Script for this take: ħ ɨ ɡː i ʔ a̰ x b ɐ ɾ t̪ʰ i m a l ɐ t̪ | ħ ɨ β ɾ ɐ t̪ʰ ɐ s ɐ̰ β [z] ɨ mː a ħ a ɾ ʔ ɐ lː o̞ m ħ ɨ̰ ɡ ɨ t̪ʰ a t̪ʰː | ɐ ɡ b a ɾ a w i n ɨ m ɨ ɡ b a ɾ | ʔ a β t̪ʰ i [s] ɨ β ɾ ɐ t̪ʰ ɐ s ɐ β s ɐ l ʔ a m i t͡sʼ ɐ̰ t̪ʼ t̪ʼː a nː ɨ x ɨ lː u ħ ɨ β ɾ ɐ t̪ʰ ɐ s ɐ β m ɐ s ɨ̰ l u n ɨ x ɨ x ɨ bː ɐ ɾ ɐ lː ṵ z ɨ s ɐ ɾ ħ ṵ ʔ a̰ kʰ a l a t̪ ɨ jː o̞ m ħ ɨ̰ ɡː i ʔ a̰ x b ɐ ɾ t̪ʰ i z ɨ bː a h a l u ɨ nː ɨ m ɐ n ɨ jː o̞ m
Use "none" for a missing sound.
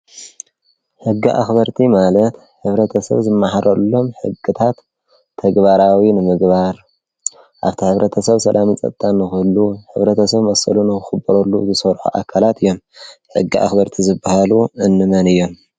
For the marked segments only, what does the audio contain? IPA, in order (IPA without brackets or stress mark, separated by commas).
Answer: z, ħ